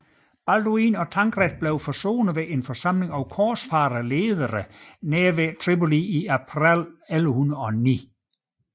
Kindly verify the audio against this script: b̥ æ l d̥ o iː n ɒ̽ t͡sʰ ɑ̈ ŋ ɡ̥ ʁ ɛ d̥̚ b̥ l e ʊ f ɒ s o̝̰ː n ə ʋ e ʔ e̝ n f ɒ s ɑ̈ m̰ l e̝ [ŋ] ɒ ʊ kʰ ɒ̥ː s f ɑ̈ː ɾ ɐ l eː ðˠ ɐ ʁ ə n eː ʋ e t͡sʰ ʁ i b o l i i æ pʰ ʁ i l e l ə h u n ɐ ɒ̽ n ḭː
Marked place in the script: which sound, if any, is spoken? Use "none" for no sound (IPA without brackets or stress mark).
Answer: ŋ